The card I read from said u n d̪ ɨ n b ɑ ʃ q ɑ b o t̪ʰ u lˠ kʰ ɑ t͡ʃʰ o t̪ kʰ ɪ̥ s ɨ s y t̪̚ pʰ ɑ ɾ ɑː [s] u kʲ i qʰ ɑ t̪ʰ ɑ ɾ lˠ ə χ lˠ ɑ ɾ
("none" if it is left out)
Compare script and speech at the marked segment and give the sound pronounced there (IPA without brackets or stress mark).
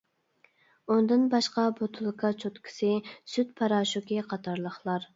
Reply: ʃ